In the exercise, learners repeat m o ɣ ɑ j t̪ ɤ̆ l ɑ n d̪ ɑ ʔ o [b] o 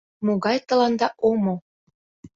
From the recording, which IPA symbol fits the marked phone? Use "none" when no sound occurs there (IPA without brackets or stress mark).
m